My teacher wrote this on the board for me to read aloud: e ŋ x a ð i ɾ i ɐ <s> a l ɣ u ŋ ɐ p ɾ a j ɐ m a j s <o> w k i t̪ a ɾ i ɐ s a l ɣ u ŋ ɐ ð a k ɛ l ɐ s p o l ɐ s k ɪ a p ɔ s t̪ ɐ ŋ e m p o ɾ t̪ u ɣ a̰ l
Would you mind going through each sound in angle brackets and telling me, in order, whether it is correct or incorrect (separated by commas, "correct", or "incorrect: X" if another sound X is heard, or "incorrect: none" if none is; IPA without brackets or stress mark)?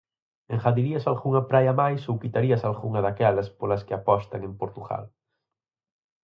correct, correct